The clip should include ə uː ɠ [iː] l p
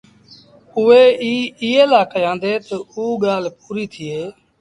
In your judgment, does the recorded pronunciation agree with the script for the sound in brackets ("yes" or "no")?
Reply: no